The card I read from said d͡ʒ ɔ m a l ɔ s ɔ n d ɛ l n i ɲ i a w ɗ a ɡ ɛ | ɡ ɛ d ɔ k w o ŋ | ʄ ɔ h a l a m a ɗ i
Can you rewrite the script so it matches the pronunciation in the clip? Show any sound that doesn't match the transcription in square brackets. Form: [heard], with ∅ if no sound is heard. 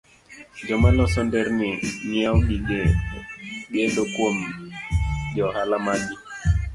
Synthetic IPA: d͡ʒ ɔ m a l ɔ s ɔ n d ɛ [ɾ] n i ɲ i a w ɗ [i] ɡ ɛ | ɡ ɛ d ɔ k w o [m] | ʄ ɔ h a l a m a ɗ i